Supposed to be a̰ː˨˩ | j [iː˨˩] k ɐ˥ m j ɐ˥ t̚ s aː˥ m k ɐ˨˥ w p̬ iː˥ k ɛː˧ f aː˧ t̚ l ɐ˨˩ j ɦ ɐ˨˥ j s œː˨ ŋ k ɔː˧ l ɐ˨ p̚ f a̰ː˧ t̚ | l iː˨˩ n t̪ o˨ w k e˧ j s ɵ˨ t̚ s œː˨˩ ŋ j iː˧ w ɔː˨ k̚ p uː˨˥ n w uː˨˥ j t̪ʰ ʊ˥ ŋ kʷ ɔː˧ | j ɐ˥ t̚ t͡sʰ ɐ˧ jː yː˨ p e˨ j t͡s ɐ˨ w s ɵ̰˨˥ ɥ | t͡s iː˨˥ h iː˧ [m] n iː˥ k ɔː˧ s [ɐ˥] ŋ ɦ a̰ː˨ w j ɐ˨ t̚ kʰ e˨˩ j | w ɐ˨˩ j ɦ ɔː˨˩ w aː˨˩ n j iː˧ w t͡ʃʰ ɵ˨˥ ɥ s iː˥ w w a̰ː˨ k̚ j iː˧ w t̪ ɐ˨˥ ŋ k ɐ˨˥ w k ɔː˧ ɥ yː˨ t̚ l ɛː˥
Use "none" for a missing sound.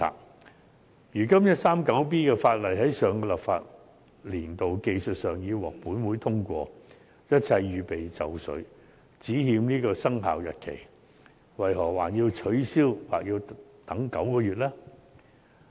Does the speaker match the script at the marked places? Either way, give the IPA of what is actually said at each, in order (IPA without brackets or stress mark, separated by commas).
yː˨˩, m, ɐ˥